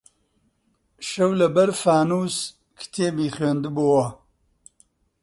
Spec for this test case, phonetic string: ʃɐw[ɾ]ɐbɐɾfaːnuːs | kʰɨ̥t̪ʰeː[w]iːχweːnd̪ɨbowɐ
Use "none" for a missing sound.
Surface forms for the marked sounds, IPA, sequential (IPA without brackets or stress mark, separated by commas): l, b